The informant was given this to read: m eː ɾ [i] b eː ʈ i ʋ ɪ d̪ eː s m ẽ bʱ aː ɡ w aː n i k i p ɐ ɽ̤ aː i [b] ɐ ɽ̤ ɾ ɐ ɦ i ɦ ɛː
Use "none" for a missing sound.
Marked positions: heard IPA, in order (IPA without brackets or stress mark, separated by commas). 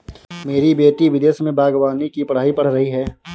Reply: i, p